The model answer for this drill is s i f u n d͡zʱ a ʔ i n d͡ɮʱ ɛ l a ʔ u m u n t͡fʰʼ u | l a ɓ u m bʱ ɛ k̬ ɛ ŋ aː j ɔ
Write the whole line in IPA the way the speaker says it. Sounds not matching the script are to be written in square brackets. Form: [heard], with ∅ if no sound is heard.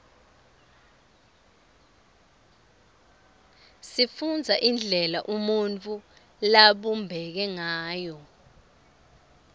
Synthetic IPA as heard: s i f u n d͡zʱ a ʔ i n d͡ɮʱ ɛ l a ʔ u m u n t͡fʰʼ u | l a ɓ u m bʱ ɛ k̬ ɛ ŋ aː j ɔ